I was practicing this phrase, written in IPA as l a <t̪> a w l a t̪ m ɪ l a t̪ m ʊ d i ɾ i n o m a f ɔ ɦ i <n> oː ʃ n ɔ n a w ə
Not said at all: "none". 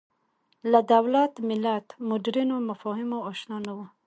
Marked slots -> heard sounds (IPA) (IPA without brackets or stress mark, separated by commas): d̪, m